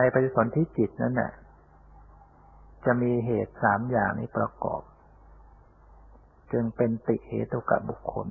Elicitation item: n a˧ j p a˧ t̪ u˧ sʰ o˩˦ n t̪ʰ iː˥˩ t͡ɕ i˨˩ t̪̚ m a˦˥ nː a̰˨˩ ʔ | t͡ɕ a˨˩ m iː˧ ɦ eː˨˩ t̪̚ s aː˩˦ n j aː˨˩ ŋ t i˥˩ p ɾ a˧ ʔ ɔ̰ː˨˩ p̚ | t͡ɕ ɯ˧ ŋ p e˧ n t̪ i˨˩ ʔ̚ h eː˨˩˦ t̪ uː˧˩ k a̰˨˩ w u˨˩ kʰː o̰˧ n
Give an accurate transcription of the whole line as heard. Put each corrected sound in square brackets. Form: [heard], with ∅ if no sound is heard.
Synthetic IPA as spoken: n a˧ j p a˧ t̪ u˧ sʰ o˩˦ n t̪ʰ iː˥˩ t͡ɕ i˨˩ t̪̚ [n] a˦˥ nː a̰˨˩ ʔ | t͡ɕ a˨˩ m iː˧ ɦ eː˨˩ t̪̚ s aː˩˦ [m] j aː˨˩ ŋ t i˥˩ p ɾ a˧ [k] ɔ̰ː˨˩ p̚ | t͡ɕ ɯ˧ ŋ p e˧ n t̪ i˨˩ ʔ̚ h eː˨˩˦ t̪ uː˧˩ k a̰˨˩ [b] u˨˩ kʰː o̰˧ n